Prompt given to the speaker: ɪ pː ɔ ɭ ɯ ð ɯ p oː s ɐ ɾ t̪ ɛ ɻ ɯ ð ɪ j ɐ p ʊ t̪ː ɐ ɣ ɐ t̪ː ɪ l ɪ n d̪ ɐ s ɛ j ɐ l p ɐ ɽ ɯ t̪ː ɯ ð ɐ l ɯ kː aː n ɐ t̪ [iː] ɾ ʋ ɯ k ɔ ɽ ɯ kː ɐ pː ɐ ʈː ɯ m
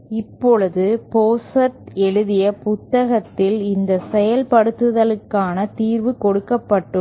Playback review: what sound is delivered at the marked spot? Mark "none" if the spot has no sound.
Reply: iː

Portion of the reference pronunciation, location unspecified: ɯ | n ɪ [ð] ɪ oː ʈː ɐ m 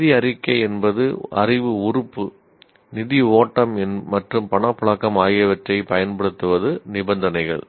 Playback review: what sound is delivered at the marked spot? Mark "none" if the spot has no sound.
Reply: ð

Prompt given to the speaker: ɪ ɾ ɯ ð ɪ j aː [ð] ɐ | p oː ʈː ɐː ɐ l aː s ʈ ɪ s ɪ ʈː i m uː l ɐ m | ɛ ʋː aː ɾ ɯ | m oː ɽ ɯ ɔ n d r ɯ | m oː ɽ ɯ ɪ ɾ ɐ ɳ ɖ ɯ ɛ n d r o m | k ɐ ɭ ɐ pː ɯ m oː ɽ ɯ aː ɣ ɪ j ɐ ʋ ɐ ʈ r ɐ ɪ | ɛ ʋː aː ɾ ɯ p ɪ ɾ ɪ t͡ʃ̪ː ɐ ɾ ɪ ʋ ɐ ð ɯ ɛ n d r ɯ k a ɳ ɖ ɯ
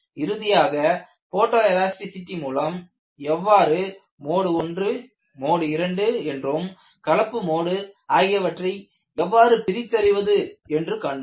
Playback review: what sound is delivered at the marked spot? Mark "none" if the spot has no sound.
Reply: ɣ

